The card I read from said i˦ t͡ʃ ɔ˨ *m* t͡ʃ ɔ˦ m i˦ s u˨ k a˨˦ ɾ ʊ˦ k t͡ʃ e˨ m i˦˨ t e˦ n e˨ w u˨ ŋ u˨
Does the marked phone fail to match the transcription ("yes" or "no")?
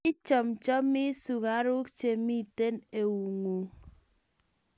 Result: no